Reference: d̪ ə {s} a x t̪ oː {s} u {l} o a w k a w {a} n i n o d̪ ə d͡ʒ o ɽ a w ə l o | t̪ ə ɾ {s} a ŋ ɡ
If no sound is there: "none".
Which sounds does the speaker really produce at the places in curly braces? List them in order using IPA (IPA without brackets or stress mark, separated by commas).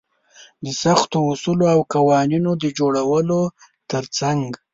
s, s, l, ɑ, t͡s